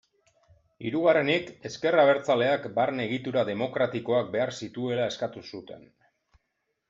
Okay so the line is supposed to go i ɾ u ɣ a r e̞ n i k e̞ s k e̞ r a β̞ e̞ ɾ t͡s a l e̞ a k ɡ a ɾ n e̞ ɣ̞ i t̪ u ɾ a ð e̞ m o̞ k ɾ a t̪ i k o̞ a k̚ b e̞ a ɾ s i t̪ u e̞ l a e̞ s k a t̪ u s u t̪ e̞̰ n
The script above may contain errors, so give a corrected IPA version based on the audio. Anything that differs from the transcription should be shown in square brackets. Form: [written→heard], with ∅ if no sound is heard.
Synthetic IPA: i ɾ u ɣ a r e̞ n i k e̞ s k e̞ r a β̞ e̞ ɾ t͡s a l e̞ a k [ɡ→b] a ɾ n e̞ ɣ̞ i t̪ u ɾ a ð e̞ m o̞ k ɾ a t̪ i k o̞ a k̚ b e̞ a ɾ s i t̪ u e̞ l a e̞ s k a t̪ u s u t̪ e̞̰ n